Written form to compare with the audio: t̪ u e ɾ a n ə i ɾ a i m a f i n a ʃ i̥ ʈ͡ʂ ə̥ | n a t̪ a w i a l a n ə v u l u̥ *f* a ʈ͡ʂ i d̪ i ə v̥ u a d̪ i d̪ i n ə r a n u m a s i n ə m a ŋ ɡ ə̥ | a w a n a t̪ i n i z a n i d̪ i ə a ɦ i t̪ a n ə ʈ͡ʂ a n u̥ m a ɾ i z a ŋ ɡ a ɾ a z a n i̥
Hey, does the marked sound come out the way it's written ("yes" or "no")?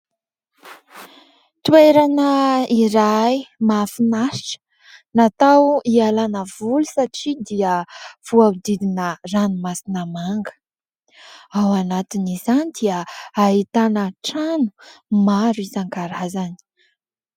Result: no